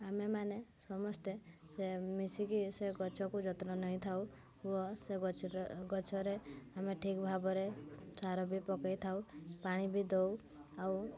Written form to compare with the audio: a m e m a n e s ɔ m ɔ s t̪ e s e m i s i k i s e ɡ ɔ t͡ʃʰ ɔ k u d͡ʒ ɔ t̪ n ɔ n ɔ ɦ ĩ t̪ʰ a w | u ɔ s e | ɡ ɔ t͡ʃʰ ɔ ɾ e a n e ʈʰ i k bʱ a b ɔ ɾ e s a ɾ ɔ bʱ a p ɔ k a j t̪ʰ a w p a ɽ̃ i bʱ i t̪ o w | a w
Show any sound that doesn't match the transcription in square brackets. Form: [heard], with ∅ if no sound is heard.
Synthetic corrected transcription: a m e m a n e s ɔ m ɔ s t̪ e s e m i s i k i s e ɡ ɔ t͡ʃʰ ɔ k u d͡ʒ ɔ t̪ n ɔ n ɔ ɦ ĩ t̪ʰ a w | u ɔ s e | ɡ ɔ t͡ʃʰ ɔ ɾ e a [m] e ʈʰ i k bʱ a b ɔ ɾ e s a ɾ ɔ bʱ [i] p ɔ k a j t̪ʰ a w p a ɽ̃ i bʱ i [d̪] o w | a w